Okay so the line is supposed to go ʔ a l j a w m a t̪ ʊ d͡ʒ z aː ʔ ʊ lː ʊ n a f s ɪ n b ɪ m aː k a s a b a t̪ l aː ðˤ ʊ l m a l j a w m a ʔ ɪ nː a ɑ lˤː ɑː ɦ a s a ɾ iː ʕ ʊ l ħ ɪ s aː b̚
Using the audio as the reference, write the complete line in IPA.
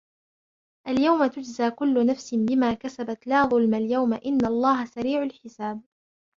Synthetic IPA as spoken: ʔ a l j a w m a t̪ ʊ d͡ʒ z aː k ʊ lː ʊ n a f s ɪ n b ɪ m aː k a s a b a t̪ l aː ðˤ ʊ l m a l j a w m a ʔ ɪ nː a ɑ lˤː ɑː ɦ a s a ɾ iː ʕ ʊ l ħ ɪ s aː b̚

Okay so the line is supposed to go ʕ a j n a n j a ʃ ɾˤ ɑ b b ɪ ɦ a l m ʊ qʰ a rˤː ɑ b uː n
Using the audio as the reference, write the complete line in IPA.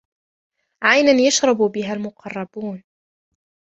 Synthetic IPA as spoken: ʕ a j n a n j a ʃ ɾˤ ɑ b b ɪ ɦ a l m ʊ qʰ ɑ rˤː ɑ b uː n

